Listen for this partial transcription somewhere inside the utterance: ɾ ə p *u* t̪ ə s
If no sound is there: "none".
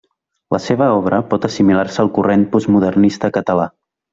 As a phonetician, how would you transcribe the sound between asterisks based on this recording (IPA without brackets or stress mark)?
ɔ